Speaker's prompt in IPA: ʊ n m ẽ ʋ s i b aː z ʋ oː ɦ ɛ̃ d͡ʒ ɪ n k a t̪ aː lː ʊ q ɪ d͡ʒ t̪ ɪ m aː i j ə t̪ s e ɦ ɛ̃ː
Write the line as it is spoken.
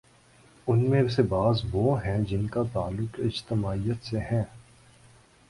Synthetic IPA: ʊ n m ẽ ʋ s e b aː z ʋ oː ɦ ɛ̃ d͡ʒ ɪ n k a t̪ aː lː ʊ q ɪ d͡ʒ t̪ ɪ m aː i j ə t̪ s e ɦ ɛ̃ː